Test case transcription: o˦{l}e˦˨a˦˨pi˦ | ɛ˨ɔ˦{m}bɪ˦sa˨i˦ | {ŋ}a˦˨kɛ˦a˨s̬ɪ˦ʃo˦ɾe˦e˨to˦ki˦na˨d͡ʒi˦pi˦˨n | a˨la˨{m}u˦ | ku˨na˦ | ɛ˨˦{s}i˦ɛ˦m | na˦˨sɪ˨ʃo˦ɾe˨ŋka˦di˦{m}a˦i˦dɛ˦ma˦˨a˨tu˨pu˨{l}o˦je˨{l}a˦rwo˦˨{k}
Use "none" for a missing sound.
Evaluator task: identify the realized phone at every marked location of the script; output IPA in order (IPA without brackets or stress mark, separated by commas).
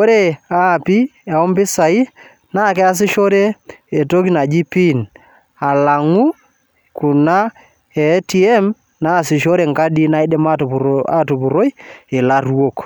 ɾ, m, n, ŋ, t, n, ɾ, l, k